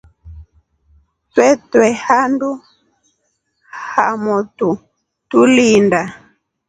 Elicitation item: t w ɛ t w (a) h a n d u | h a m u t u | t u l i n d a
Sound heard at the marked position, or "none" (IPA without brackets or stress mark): ɛ